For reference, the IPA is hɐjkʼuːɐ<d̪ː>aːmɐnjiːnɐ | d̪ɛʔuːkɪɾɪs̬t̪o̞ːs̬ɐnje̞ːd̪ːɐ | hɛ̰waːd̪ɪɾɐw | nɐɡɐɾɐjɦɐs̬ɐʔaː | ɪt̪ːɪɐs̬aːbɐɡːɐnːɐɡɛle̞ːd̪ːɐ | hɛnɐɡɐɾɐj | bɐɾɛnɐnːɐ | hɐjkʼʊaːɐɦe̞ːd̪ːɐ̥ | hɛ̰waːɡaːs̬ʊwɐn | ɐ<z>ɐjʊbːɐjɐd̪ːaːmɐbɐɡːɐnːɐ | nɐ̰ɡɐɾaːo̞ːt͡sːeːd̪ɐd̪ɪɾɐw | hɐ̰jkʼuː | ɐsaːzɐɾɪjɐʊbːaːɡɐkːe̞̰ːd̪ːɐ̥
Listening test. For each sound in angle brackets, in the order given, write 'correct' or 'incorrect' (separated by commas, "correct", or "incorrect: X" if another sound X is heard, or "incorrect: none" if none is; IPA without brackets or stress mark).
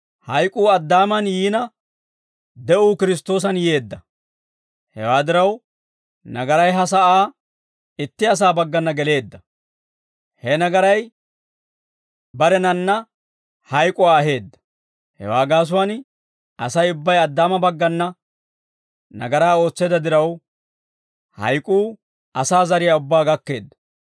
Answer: correct, incorrect: s